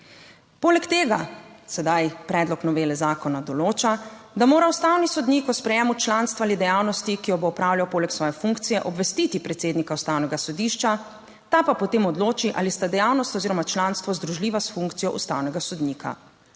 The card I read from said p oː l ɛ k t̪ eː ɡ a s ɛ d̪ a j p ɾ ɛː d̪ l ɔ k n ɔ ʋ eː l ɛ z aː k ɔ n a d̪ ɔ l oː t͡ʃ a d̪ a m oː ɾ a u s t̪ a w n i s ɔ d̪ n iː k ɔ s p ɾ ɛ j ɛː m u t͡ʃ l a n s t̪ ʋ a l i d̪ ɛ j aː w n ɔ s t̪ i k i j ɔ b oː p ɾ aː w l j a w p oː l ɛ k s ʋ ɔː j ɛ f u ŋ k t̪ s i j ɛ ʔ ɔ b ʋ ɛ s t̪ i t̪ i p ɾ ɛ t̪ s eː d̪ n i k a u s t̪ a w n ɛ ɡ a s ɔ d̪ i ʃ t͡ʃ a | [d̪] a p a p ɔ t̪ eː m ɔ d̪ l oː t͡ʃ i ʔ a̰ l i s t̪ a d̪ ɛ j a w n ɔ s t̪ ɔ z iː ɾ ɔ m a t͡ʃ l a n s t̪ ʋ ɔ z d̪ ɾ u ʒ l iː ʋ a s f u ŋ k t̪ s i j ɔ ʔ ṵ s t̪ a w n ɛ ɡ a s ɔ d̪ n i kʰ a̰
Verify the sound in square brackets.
incorrect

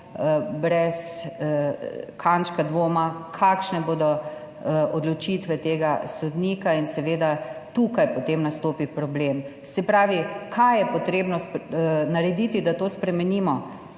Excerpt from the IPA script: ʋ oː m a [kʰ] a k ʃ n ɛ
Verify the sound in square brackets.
correct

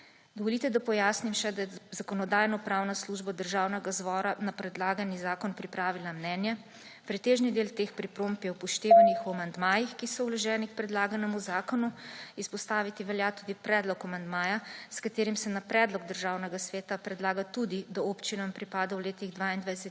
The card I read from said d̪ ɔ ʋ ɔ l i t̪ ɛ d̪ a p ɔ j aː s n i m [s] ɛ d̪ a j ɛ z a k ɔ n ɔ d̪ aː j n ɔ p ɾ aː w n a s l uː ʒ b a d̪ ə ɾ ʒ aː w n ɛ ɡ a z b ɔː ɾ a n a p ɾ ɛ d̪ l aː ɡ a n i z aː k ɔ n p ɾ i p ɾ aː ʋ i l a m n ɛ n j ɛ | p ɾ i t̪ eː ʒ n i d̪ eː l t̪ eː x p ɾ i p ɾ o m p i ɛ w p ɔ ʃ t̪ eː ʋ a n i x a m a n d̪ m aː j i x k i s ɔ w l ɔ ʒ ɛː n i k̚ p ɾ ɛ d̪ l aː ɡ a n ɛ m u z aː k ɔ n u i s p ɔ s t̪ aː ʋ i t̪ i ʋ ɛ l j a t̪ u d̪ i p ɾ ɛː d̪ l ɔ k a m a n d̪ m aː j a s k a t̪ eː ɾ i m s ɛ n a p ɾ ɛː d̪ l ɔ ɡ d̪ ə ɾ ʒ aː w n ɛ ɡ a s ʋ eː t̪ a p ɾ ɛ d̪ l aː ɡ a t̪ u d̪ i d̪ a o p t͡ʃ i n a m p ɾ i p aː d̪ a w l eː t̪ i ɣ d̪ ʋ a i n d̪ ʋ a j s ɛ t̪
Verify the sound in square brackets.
incorrect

